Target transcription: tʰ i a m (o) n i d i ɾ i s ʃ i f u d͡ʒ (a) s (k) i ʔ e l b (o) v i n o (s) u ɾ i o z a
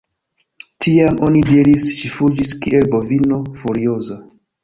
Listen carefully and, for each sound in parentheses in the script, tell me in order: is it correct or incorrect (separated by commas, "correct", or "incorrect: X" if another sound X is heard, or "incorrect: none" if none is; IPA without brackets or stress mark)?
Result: correct, incorrect: i, correct, correct, incorrect: f